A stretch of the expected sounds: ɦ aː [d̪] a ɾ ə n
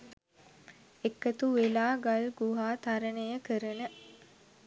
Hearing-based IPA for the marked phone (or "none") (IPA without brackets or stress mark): t̪